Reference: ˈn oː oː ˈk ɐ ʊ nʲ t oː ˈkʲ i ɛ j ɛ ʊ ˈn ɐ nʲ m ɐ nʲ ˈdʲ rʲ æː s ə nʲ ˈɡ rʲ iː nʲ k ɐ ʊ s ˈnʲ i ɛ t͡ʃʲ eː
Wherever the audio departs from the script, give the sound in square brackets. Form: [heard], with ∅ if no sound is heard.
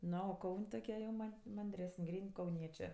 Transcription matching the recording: ˈn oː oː ˈk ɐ ʊ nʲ t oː ˈkʲ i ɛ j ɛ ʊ [ˈm] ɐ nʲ m ɐ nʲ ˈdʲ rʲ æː s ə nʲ ˈɡ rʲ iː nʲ k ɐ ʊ [∅] ˈnʲ i ɛ t͡ʃʲ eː